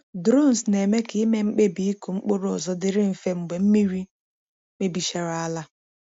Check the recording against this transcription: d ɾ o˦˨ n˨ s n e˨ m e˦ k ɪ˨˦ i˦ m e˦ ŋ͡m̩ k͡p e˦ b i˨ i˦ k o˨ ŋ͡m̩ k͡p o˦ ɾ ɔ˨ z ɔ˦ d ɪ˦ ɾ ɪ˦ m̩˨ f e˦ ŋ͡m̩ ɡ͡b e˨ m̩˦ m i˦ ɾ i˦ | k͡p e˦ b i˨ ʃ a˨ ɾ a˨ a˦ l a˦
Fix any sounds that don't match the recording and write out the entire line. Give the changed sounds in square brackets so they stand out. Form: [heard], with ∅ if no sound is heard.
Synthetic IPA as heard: d ɾ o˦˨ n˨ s n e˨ m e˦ k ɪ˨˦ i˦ m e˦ ŋ͡m̩ k͡p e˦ b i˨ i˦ k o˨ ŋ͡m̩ k͡p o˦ ɾ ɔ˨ z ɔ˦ d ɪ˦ ɾ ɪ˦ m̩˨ f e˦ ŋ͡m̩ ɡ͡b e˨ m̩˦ m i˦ ɾ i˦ | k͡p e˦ b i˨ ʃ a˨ ɾ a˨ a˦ l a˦